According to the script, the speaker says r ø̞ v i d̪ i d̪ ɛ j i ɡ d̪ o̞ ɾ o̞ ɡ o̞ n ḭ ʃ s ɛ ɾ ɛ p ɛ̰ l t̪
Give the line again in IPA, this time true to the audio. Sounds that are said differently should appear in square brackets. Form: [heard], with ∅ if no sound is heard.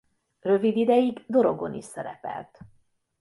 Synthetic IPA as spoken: r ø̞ v i d̪ i d̪ ɛ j i ɡ d̪ o̞ ɾ o̞ ɡ o̞ n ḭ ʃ s ɛ ɾ ɛ p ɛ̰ l t̪